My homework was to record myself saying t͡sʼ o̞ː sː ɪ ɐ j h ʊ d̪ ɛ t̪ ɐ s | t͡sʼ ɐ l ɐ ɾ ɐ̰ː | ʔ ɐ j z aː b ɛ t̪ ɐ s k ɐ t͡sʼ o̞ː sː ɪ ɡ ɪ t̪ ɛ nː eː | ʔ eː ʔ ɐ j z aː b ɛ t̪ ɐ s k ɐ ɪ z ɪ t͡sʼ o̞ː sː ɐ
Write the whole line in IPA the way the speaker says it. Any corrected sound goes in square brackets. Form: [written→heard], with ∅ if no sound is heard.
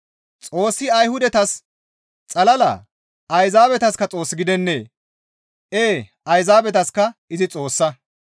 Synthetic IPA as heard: t͡sʼ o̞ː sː ɪ ɐ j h ʊ d̪ ɛ t̪ ɐ s | t͡sʼ ɐ l ɐ [ɾ→l] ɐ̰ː | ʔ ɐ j z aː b ɛ t̪ ɐ s k ɐ t͡sʼ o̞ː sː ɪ ɡ ɪ [t̪→d̪] ɛ nː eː | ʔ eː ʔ ɐ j z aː b ɛ t̪ ɐ s k ɐ ɪ z ɪ t͡sʼ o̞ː sː ɐ